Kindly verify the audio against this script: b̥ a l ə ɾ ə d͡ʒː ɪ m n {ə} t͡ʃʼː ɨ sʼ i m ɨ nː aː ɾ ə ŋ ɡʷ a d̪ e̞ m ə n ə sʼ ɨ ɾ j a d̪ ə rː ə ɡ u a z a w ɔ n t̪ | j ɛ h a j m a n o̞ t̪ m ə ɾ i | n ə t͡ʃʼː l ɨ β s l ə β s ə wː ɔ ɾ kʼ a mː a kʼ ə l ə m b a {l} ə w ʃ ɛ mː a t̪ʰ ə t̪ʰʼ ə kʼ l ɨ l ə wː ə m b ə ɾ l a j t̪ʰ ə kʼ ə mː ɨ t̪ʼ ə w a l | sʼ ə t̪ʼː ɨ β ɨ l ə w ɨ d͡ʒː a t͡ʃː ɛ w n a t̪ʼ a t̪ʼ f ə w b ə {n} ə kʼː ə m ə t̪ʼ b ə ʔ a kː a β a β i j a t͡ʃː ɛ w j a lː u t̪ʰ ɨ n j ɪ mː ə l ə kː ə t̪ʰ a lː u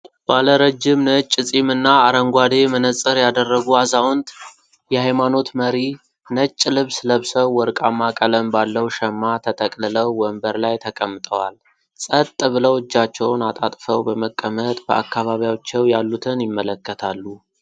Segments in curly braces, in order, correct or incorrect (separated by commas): correct, incorrect, incorrect